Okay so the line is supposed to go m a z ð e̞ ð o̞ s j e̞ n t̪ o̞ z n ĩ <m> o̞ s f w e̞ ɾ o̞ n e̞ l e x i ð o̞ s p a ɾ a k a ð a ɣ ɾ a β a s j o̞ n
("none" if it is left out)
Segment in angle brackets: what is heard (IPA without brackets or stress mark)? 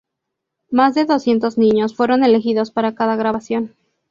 ɲ